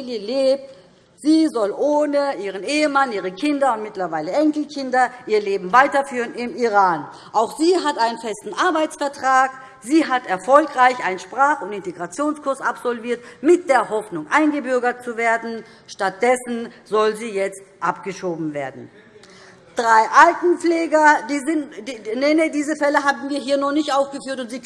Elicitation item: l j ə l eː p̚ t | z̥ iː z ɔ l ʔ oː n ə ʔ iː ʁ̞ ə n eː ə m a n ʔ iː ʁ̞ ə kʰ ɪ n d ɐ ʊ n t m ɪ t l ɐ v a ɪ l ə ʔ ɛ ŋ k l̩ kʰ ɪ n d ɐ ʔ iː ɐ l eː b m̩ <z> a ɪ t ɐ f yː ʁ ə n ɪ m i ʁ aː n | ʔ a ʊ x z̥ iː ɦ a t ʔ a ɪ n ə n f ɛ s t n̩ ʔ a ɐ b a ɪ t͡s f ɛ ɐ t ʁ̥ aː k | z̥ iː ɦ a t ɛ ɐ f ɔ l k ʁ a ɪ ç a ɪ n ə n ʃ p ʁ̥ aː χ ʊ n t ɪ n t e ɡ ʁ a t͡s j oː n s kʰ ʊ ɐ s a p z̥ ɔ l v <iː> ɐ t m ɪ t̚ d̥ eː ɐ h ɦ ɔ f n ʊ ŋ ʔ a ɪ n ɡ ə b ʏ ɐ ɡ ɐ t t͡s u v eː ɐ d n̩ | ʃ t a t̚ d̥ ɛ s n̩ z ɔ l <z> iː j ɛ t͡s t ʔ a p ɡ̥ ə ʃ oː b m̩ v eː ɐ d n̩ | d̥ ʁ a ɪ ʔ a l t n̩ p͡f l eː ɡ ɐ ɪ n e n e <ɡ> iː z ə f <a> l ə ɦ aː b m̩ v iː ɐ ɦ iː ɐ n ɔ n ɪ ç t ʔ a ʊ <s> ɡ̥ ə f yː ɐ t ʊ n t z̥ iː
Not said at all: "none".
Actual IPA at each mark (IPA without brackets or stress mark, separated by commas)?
v, iː, z, d, ɛ, f